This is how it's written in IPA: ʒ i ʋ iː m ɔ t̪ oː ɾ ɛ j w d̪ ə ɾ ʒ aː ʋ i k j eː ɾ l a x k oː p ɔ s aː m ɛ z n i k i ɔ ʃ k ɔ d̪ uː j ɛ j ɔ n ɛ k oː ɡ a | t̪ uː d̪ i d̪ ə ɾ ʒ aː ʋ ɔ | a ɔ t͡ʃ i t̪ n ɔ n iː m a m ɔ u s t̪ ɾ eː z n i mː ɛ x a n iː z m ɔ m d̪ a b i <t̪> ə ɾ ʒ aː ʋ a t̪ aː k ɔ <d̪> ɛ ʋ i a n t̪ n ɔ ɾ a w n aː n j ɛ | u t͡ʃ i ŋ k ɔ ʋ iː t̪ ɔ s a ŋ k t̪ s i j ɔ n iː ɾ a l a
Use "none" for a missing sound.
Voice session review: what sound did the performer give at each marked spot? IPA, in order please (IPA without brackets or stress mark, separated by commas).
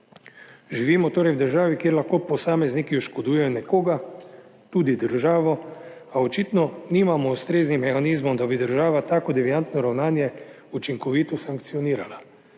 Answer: d̪, d̪